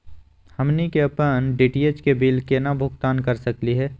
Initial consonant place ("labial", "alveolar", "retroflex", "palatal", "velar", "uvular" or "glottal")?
glottal